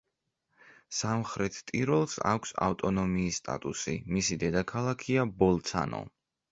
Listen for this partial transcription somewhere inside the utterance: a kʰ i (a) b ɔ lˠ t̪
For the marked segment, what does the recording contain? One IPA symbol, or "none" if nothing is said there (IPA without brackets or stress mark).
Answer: a